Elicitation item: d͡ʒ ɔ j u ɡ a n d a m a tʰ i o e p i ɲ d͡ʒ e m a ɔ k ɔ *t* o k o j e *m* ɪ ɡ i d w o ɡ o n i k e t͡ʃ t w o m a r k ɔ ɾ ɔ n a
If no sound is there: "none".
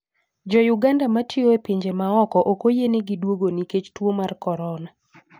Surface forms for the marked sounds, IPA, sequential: ʔ, n

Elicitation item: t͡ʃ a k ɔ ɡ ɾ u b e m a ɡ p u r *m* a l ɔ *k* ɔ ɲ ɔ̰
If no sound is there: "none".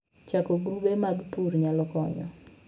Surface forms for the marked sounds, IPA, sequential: ɲ, k

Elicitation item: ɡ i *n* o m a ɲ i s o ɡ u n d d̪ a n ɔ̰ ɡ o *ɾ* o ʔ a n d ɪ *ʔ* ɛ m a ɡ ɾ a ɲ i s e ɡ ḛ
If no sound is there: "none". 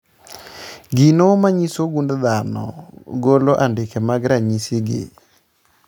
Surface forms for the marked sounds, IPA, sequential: n, l, k

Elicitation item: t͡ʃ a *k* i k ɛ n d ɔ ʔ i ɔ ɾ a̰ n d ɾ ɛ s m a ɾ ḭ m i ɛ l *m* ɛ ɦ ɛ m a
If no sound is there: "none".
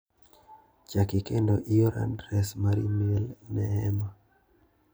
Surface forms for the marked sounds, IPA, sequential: k, n

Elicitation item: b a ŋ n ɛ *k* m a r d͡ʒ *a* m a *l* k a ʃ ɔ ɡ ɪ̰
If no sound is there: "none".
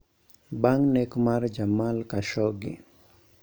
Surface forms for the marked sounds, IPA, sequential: k, a, l

